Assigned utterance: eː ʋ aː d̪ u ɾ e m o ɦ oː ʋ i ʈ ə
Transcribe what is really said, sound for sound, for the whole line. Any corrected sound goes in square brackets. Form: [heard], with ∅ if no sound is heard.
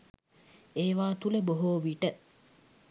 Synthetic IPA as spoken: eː ʋ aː [t̪] u [l] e [b] o ɦ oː ʋ i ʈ ə